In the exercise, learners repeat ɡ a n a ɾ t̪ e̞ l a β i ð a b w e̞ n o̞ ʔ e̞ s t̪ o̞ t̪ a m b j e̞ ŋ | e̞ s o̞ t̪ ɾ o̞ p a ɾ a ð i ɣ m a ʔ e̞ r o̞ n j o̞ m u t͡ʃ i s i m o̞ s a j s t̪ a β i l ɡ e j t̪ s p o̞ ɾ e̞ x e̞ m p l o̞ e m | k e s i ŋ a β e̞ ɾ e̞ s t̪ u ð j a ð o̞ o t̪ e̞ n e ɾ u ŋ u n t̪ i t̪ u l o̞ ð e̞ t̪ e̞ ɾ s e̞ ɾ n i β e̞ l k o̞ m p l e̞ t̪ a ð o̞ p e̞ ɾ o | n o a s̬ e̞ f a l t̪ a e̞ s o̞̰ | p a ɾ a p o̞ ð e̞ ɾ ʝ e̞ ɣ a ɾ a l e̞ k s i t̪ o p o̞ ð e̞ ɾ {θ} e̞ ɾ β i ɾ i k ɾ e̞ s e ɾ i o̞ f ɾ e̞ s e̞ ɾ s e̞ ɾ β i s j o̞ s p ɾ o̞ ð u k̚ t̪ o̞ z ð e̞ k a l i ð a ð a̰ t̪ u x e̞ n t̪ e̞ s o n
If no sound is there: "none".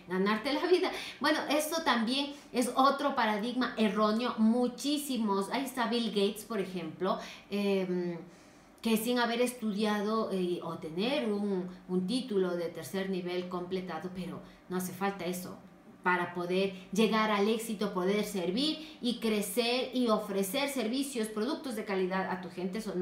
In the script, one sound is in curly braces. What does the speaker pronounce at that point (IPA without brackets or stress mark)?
s